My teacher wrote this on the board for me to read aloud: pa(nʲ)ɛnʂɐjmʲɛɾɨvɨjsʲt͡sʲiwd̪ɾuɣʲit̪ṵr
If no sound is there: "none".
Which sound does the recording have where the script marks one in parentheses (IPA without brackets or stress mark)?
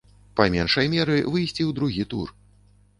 mʲ